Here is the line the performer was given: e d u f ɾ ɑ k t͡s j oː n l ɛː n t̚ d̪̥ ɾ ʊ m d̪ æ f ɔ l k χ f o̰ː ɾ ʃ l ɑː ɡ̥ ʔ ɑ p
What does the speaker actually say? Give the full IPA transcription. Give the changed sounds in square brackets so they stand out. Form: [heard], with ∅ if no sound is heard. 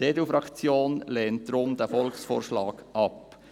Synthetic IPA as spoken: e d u f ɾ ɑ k t͡s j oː n l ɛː n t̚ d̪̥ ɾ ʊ m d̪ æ f ɔ l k [s] f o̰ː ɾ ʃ l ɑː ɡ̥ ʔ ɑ p